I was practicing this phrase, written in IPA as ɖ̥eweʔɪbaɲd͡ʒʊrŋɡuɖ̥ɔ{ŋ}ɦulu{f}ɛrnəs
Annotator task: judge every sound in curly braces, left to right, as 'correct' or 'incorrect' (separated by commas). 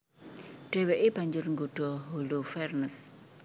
incorrect, correct